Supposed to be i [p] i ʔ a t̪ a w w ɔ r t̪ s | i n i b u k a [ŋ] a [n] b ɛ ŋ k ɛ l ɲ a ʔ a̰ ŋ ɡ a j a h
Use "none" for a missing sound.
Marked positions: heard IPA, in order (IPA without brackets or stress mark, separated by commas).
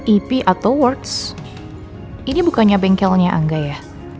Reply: p, ɲ, none